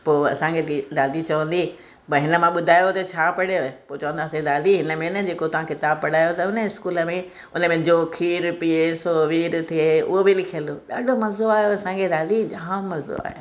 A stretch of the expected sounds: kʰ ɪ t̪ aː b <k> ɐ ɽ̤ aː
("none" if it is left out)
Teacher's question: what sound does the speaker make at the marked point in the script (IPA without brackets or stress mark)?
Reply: p